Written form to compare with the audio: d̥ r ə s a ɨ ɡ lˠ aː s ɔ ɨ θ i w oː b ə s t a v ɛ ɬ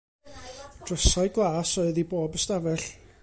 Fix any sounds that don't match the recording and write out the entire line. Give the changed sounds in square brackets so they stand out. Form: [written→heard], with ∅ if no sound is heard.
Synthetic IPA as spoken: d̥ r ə s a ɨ ɡ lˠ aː s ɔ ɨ [θ→ð] i [w→b] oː b ə s t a v ɛ ɬ